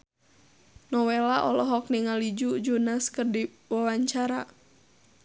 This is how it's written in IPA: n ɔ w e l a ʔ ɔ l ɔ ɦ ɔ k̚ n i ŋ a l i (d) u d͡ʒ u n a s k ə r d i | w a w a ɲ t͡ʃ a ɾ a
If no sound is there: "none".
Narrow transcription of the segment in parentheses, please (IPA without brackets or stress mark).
d͡ʒ